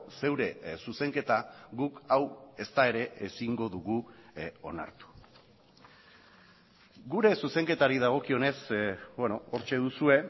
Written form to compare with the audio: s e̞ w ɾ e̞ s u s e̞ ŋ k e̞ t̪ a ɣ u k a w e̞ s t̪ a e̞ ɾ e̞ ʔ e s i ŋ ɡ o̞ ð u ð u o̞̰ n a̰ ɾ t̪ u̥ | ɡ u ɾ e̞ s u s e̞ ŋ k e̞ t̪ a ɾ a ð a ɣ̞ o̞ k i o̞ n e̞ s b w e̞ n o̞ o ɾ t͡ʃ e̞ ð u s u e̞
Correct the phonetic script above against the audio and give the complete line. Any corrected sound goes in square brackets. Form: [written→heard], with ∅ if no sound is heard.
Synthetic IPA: s e̞ w ɾ e̞ s u s e̞ ŋ k e̞ t̪ a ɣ u k a w e̞ s t̪ a e̞ ɾ e̞ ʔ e s i ŋ ɡ o̞ ð u [ð→ɣ] u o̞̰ n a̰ ɾ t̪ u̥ | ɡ u ɾ e̞ s u s e̞ ŋ k e̞ t̪ a ɾ [a→i] ð a ɣ̞ o̞ k i o̞ n e̞ s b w e̞ n o̞ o ɾ t͡ʃ e̞ ð u s u e̞